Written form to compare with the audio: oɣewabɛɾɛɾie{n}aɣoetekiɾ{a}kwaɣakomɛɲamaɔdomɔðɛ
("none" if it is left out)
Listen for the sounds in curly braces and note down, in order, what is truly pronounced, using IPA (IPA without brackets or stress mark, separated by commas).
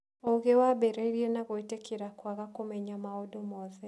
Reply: n, a